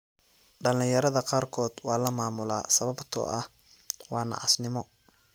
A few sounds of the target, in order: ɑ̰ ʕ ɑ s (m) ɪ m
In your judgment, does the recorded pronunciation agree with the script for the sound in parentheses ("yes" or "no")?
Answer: no